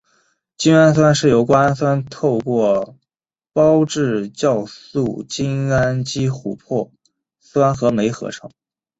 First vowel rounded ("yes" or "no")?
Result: no